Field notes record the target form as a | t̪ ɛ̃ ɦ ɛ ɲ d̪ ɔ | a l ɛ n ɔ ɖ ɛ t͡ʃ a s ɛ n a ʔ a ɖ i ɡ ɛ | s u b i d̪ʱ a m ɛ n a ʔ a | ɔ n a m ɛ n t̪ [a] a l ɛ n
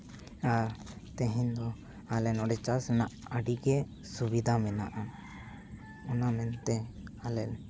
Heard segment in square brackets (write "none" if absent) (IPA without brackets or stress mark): ɛ